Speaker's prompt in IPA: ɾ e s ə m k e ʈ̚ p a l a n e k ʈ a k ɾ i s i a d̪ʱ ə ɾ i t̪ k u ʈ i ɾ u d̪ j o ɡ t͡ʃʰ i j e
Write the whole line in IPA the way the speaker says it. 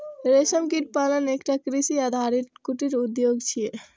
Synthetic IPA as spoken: ɾ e s ə m k i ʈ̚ p a l ə n e k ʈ a k ɾ i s i a d̪ʱ a ɾ i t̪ k u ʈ i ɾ u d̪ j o ɡ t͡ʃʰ i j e